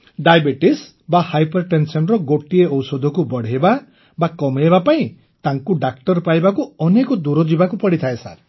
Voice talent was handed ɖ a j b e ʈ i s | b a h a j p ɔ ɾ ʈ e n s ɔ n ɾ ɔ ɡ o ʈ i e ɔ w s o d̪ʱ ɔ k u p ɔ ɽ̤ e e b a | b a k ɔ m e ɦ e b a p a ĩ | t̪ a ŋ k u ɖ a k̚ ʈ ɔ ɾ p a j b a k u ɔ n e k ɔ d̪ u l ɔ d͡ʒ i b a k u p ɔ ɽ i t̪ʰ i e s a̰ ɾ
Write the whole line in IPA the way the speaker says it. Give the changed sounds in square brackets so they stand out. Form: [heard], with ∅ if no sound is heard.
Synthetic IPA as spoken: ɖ a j b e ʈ i s | b a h a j p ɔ ɾ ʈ e n s ɔ n ɾ ɔ ɡ o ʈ i e ɔ w s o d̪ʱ ɔ k u [b] ɔ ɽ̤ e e b a | b a k ɔ m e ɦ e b a p a ĩ | t̪ a ŋ k u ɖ a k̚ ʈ ɔ ɾ p a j b a k u ɔ n e k ɔ d̪ u [ɾ] ɔ d͡ʒ i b a k u p ɔ ɽ i t̪ʰ [a] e s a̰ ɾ